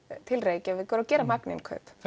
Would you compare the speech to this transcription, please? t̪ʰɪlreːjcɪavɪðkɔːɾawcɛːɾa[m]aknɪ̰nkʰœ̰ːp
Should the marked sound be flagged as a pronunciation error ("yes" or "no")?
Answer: no